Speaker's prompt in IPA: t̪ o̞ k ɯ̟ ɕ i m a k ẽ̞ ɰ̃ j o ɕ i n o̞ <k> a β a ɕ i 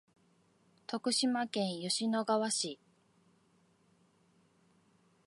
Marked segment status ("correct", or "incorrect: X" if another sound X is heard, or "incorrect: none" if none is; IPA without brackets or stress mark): incorrect: ɡ